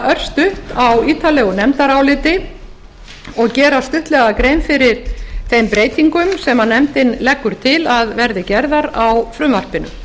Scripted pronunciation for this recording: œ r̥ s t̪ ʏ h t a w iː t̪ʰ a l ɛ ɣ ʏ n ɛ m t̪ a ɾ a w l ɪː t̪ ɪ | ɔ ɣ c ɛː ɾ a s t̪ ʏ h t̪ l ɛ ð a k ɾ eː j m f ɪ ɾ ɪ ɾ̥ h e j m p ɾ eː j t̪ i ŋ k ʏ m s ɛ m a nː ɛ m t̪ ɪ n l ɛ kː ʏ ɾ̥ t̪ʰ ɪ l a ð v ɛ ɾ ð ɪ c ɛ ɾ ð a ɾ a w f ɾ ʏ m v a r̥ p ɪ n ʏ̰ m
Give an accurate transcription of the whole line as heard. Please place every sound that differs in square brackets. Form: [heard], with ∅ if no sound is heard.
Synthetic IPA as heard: œ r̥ s t̪ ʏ h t a w iː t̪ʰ a l ɛ ɣ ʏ n ɛ m t̪ a ɾ a w l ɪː t̪ ɪ | ɔ ɣ c ɛː ɾ a s t̪ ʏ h t̪ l ɛ [ɣ] a k ɾ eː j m f ɪ ɾ ɪ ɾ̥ [θ] e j m p ɾ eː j t̪ i ŋ k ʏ m s ɛ m a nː ɛ m t̪ ɪ n l ɛ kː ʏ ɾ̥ t̪ʰ ɪ l a ð v ɛ ɾ ð ɪ c ɛ ɾ ð a ɾ a w f ɾ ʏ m v a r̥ p ɪ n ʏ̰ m

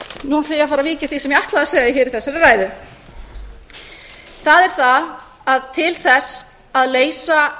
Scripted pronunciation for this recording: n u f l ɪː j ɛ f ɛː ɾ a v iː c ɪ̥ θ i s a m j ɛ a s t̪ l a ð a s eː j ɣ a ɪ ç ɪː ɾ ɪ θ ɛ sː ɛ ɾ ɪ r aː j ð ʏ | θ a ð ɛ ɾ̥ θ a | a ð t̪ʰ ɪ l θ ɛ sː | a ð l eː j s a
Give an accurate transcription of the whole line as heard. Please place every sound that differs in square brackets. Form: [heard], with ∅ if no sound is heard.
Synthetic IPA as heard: n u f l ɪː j [a] f [aː] ɾ a v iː c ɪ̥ θ i s [ɛ] m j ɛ a [h] t̪ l a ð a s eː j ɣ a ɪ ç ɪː ɾ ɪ θ ɛ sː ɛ ɾ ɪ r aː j ð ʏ | θ a ð ɛ ɾ̥ θ a | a ð t̪ʰ ɪ l θ ɛ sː | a ð l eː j s a

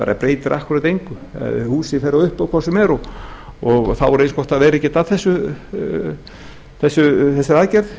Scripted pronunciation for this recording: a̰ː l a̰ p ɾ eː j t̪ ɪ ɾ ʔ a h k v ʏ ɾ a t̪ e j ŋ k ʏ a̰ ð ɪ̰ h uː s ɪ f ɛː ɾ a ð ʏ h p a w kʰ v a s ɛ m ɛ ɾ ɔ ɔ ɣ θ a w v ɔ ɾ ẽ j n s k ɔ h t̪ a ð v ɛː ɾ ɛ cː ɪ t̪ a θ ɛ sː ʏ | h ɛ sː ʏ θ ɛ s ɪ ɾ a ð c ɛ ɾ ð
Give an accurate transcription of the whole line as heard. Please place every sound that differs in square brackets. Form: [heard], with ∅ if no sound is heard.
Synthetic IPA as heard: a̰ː [ɾ] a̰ p ɾ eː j t̪ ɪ ɾ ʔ a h k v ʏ ɾ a t̪ e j ŋ k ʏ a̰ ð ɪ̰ h uː s ɪ f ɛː ɾ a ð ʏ h p a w kʰ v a s ɛ m ɛ ɾ ɔ ɔ ɣ θ a w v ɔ ɾ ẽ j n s k ɔ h t̪ a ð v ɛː ɾ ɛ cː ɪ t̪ a θ ɛ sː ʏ | [θ] ɛ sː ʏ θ ɛ s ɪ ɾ a ð c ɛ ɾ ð

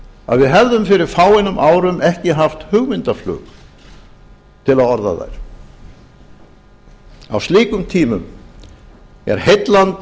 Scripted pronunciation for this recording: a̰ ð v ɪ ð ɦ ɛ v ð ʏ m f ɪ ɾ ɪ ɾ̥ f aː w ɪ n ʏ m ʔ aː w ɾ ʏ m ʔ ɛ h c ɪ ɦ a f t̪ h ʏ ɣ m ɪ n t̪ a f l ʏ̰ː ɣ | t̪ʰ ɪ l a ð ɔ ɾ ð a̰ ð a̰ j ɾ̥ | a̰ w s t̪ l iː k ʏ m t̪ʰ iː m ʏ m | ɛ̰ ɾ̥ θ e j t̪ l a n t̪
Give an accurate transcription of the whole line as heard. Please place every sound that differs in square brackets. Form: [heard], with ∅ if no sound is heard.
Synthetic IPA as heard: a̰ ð v ɪ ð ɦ ɛ v ð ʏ m f ɪ ɾ ɪ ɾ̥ f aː w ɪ n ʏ m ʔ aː w ɾ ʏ m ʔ ɛ h c ɪ ɦ a f t̪ h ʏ ɣ m ɪ n t̪ a f l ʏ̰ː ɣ | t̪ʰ ɪ l a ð ɔ ɾ ð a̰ ð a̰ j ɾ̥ | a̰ w s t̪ l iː k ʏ m t̪ʰ iː m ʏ m | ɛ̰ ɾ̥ [h] e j t̪ l a n t̪

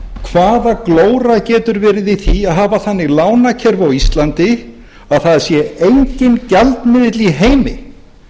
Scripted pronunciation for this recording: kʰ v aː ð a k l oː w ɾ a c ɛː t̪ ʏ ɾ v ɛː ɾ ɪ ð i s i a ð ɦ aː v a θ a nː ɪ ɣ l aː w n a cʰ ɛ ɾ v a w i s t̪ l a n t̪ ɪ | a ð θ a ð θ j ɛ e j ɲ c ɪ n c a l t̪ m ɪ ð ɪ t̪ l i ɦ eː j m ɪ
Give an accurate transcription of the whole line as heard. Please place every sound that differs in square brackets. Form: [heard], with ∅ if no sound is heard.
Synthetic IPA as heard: kʰ v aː ð a k l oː w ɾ a c ɛː t̪ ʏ ɾ v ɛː ɾ ɪ ð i [θ] i a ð ɦ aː v a θ a nː ɪ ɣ l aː w n a cʰ ɛ ɾ v a w i s t̪ l a n t̪ ɪ | a ð θ a ð [s] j ɛ e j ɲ c ɪ n c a l t̪ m ɪ ð ɪ t̪ l i ɦ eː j m ɪ

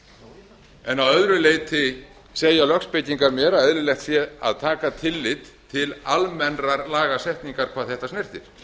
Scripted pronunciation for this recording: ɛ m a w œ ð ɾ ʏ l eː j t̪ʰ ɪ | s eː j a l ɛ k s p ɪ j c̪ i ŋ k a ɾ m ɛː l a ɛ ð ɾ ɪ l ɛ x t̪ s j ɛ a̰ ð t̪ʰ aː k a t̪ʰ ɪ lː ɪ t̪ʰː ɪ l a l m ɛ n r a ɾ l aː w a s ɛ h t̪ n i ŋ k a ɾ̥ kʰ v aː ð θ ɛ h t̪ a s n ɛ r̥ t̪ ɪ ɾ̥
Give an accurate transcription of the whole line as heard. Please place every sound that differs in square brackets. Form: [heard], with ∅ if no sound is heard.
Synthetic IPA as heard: ɛ [n] a w œ ð ɾ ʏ l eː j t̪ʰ ɪ | s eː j a l [œ] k s p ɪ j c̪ i ŋ k a ɾ m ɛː [ɾ] a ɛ ð ɾ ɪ l ɛ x t̪ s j ɛ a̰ ð t̪ʰ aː k a t̪ʰ ɪ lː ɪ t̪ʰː ɪ l a l m ɛ n r a ɾ l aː [ɣ] a s ɛ h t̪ n i ŋ k a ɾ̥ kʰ v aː ð θ ɛ h t̪ a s n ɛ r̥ t̪ ɪ ɾ̥

